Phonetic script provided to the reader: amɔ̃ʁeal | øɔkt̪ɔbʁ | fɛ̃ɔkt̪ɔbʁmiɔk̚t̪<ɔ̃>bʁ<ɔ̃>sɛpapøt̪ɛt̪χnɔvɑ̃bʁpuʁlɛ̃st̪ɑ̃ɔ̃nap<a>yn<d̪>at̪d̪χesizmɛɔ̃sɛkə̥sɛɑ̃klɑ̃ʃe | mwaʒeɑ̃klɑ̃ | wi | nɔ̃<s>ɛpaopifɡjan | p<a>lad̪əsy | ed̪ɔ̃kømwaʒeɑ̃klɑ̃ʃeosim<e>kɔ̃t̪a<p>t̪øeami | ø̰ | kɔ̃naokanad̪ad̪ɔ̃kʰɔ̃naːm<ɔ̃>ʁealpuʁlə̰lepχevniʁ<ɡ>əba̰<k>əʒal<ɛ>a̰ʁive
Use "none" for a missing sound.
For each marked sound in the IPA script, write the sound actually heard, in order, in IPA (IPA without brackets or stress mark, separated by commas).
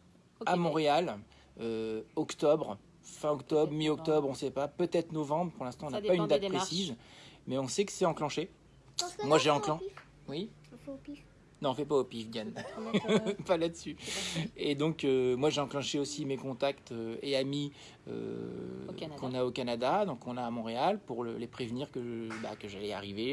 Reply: ɔ, ɔ̃, a, d̪, f, a, e, k, ɔ̃, k, k, ɛ